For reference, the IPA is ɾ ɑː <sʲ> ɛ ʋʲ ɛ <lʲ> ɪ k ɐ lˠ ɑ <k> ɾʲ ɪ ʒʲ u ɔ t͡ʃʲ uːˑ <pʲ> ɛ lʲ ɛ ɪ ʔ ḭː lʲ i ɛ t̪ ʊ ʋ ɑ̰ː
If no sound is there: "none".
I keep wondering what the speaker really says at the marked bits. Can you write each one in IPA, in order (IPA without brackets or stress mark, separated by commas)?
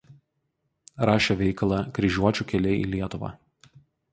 ʃʲ, none, k, kʲ